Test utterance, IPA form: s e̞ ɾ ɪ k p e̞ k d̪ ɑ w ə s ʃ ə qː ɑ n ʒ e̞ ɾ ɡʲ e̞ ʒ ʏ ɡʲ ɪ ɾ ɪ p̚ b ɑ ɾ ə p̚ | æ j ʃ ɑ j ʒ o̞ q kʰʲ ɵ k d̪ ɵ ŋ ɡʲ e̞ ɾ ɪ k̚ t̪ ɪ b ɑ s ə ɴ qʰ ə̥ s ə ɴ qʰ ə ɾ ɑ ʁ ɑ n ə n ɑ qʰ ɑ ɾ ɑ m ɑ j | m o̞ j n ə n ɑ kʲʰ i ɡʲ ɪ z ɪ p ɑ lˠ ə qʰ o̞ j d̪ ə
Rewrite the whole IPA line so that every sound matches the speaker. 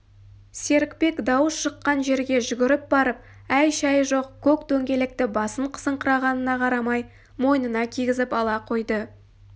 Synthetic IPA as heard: s e̞ ɾ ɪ k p e̞ k d̪ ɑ w ə s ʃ ə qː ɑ n ʒ e̞ ɾ ɡʲ e̞ ʒ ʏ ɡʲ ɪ ɾ ɪ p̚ b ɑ ɾ ə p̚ | æ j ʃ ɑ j ʒ o̞ q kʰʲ ɵ k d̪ ɵ ŋ ɡʲ e̞ l ɪ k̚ t̪ ɪ b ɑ s ə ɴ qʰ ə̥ s ə ɴ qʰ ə ɾ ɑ ʁ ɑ n ə n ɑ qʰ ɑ ɾ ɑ m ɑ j | m o̞ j n ə n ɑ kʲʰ i ɡʲ ɪ z ɪ p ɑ lˠ ɑ qʰ o̞ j d̪ ə